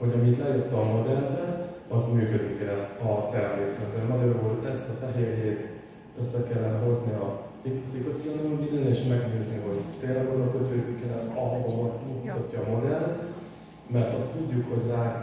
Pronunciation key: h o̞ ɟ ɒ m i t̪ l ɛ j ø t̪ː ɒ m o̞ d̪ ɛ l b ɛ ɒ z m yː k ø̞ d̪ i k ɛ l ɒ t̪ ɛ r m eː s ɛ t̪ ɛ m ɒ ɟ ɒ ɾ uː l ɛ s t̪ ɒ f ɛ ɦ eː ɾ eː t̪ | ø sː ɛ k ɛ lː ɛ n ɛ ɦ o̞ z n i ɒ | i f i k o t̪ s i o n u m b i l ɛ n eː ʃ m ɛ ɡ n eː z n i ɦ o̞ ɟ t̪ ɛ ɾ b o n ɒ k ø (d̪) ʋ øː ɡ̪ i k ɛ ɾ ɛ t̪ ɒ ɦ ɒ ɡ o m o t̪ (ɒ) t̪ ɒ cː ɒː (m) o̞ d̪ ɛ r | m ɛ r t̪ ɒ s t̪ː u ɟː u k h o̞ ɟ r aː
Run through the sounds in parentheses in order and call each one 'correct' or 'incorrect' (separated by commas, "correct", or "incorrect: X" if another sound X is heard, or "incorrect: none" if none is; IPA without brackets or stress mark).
incorrect: t̪, incorrect: u, correct